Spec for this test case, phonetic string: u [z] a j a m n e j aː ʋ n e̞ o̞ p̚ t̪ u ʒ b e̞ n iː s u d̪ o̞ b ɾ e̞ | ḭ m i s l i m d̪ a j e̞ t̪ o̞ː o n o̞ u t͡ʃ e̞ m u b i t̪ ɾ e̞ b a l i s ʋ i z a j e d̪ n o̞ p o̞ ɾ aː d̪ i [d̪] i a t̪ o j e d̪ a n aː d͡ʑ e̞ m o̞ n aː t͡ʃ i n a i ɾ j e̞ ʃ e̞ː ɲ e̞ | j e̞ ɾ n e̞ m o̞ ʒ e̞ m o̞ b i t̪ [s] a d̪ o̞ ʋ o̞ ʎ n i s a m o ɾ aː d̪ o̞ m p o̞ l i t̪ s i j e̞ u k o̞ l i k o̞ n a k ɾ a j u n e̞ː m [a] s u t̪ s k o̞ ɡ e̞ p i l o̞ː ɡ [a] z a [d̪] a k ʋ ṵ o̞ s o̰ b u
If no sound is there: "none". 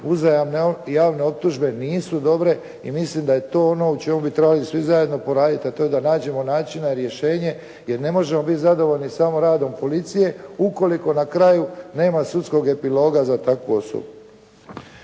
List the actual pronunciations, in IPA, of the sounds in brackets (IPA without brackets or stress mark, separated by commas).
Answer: z, t̪, z, a, a, t̪